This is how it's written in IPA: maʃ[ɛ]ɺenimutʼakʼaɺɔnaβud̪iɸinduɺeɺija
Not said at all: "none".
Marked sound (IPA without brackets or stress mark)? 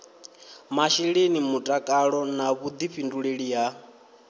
i